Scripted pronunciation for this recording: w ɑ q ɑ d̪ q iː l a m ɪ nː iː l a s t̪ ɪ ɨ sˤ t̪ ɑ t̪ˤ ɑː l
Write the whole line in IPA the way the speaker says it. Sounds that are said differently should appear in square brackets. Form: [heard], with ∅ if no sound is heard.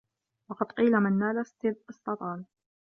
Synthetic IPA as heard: w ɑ q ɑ d̪ q iː l a m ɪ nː [aː] l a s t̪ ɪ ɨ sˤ t̪ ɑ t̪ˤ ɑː l